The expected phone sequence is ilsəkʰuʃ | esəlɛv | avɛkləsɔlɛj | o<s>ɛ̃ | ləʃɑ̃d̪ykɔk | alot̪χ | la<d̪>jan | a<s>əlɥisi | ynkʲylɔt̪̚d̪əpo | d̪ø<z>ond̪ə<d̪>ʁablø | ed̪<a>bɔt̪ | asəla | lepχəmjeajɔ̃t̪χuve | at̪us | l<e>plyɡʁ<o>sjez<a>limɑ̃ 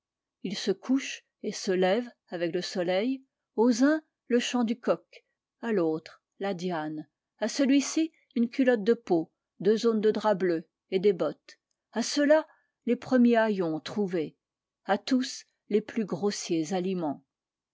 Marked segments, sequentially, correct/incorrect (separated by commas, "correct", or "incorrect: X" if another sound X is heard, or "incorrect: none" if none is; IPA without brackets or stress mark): incorrect: z, correct, correct, correct, correct, incorrect: e, correct, correct, correct